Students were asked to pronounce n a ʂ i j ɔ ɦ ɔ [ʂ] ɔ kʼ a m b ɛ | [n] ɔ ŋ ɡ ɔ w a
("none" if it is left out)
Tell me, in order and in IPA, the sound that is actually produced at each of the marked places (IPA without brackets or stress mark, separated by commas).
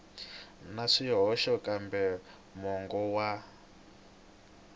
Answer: ʃ, m